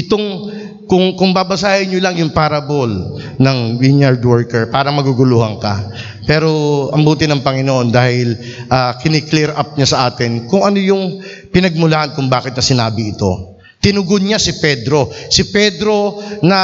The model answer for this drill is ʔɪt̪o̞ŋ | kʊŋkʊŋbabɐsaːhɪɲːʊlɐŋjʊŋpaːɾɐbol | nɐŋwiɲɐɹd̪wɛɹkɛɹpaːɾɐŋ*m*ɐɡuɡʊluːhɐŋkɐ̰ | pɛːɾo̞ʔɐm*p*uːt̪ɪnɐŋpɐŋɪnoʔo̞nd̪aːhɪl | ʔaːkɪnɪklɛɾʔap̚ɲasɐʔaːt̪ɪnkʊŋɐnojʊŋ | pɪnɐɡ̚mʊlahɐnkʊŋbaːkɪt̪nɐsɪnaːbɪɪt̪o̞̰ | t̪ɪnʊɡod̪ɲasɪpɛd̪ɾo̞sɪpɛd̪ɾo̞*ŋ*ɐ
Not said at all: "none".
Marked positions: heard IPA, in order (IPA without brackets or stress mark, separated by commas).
m, b, n